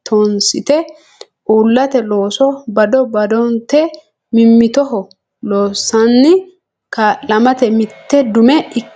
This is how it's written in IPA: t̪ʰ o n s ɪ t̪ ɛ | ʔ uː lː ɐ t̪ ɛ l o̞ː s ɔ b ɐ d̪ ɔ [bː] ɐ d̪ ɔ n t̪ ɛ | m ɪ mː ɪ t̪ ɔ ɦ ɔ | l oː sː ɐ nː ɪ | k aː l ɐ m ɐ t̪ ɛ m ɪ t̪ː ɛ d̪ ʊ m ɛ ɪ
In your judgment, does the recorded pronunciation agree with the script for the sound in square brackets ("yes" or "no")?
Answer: no